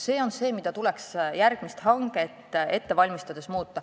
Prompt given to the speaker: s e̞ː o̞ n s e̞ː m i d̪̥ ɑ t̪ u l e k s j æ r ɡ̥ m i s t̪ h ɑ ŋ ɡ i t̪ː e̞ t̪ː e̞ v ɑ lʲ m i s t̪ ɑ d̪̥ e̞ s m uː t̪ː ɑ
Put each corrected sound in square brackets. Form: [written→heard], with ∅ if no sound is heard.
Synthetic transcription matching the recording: s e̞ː o̞ n s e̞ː m i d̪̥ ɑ t̪ u l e k s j æ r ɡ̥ m i s t̪ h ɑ ŋ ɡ [i→e] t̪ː e̞ t̪ː e̞ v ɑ lʲ m i s t̪ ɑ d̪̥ e̞ s m uː t̪ː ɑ